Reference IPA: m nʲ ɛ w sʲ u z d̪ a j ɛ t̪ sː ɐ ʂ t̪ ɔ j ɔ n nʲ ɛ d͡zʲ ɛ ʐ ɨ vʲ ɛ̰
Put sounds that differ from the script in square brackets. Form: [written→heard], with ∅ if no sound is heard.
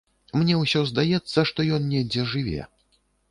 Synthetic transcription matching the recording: m nʲ ɛ w sʲ [u→ɔ] z d̪ a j ɛ t̪ sː ɐ ʂ t̪ ɔ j ɔ n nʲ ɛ d͡zʲ ɛ ʐ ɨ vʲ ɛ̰

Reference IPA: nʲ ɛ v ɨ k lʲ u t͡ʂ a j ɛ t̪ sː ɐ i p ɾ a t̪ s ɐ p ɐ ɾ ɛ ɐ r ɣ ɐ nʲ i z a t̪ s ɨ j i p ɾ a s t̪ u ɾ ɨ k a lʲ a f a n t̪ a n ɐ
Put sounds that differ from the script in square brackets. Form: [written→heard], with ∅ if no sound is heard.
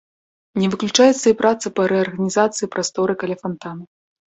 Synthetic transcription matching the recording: nʲ ɛ v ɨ k lʲ u t͡ʂ a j ɛ t̪ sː ɐ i p ɾ a t̪ s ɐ p ɐ ɾ ɛ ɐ r ɣ ɐ nʲ i z a t̪ s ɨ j i p ɾ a s t̪ [u→ɔ] ɾ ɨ k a lʲ a f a n t̪ a n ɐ

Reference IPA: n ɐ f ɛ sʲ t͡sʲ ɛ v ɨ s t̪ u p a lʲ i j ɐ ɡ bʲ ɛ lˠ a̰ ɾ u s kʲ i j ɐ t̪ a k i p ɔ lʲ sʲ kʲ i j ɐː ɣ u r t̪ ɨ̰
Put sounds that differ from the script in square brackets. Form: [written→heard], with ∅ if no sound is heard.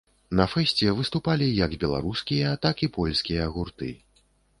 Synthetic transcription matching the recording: n ɐ f ɛ sʲ t͡sʲ ɛ v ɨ s t̪ u p a lʲ i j ɐ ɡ bʲ ɛ lˠ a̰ ɾ u s kʲ i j ɐ t̪ a k i p ɔ lʲ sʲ kʲ i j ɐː ɣ u r t̪ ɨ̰

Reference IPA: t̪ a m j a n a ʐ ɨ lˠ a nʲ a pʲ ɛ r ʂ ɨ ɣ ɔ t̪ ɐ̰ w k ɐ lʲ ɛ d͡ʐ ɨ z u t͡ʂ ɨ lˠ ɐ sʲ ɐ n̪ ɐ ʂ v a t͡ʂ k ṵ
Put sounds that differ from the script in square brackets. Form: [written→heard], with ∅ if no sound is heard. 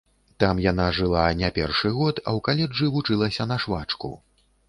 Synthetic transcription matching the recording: t̪ a m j a n a ʐ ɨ lˠ a nʲ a pʲ ɛ r ʂ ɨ ɣ ɔ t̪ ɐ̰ w k [ɐ→a] lʲ ɛ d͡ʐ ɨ [z→v] u t͡ʂ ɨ lˠ ɐ sʲ ɐ n̪ ɐ ʂ v a t͡ʂ k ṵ

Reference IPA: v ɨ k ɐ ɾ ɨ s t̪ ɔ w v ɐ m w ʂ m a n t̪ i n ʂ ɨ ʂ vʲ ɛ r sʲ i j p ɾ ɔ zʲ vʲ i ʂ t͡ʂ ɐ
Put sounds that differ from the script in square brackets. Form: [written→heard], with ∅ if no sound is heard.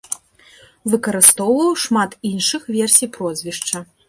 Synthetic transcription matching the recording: v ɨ k ɐ ɾ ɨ s t̪ ɔ w v ɐ [m→∅] w ʂ m a [n→∅] t̪ i n ʂ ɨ [ʂ→x] vʲ ɛ r sʲ i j p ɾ ɔ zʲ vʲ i ʂ t͡ʂ ɐ

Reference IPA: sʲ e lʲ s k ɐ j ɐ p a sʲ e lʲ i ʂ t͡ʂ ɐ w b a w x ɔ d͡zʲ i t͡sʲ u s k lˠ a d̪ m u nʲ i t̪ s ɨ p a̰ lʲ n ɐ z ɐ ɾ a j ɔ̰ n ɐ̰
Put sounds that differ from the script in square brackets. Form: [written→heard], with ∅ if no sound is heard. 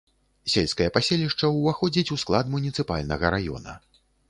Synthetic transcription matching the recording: sʲ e lʲ s k ɐ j ɐ p a sʲ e lʲ i ʂ t͡ʂ ɐ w [b→v] a [w→∅] x ɔ d͡zʲ i t͡sʲ u s k lˠ a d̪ m u nʲ i t̪ s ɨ p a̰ lʲ n ɐ [z→ɣ] ɐ ɾ a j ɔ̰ n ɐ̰

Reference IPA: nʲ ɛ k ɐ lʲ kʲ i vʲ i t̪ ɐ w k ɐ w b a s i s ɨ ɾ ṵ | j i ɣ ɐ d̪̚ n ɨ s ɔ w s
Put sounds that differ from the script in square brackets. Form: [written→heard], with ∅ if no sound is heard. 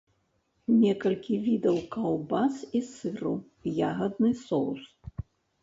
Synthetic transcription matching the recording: nʲ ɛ k ɐ lʲ kʲ i vʲ i [t̪→d̪] ɐ w k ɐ w b a s i s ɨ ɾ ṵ | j [i→a] ɣ ɐ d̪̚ n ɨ s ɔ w s

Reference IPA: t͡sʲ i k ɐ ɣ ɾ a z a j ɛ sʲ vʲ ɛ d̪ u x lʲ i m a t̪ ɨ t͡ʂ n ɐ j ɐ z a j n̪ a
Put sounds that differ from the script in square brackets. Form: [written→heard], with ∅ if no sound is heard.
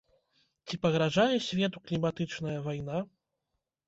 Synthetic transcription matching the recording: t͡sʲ i [k→p] ɐ ɣ ɾ a [z→ʐ] a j ɛ sʲ vʲ ɛ [d̪→t̪] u [x→k] lʲ i m a t̪ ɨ t͡ʂ n ɐ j ɐ [z→v] a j n̪ a

